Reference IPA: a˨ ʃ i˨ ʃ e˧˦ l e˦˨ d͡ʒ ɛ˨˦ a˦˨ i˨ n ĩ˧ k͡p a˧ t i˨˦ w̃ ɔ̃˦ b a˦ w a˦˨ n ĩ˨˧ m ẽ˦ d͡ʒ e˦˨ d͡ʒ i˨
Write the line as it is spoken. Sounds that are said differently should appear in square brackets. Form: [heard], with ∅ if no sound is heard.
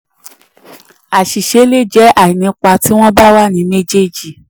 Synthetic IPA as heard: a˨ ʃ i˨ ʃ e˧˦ l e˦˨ d͡ʒ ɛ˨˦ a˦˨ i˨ n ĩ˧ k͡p a˧ t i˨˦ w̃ ɔ̃˦ b a˦ w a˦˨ n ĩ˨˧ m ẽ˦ d͡ʒ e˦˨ d͡ʒ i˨